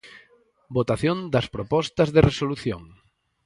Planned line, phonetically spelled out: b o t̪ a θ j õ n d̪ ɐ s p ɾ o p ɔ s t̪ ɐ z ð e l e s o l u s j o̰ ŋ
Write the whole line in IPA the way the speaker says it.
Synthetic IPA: b o t̪ a θ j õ n d̪ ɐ s p ɾ o p ɔ s t̪ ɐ z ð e r e s o l u θ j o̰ ŋ